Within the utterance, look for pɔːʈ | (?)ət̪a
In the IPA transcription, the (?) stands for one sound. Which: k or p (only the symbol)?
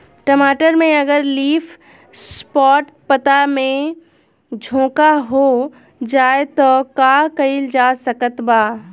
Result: p